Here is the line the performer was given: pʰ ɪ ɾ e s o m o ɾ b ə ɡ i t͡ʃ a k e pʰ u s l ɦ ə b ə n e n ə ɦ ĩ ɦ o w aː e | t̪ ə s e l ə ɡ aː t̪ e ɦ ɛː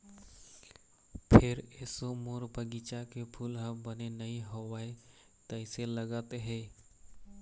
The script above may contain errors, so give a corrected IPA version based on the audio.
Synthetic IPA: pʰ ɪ ɾ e s o m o ɾ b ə ɡ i t͡ʃ a k e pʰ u l ɦ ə b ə n e n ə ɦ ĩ ɦ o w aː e | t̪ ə s e l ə ɡ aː t̪ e ɦ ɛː